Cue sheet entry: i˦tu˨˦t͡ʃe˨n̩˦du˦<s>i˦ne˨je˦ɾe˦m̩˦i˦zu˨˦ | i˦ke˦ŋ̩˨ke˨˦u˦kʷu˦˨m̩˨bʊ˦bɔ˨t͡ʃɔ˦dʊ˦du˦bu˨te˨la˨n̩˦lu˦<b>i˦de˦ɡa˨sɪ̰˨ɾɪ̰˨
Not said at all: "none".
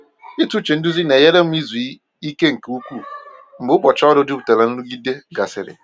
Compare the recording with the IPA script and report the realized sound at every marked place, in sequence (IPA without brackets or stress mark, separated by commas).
z, ɡ